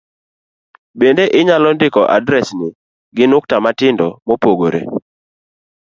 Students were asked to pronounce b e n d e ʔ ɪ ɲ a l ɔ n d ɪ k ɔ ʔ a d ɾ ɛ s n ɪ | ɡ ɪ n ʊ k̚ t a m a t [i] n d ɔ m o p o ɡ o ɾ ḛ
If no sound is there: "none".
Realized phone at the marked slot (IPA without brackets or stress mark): ɪ